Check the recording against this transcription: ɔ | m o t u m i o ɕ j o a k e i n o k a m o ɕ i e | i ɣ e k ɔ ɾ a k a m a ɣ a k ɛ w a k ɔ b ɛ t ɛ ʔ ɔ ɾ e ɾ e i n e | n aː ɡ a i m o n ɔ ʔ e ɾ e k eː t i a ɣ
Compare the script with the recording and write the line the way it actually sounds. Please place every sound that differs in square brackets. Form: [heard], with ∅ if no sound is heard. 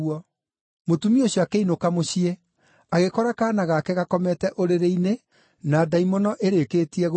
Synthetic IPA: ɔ | m o t u m i o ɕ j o a k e i n o k a m o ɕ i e | [a] ɣ e k ɔ ɾ a k a [n] a ɣ a k ɛ [ɣ] a k ɔ [m] ɛ t ɛ ʔ [o] ɾ e ɾ e i n e | n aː [d] a i m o n ɔ ʔ e ɾ e k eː t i [ɛ] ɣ